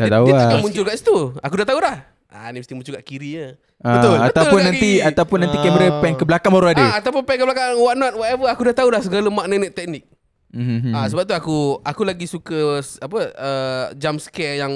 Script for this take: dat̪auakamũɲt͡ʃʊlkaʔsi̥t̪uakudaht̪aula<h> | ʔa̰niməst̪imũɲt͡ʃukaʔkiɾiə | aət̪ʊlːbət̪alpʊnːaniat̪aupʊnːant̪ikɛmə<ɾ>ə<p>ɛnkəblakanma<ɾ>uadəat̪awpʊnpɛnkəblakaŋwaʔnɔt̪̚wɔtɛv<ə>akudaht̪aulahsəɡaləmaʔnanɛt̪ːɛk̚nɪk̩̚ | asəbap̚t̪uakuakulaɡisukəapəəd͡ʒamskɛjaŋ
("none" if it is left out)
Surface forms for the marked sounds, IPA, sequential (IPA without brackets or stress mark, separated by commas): h, ɾ, p, ɾ, ə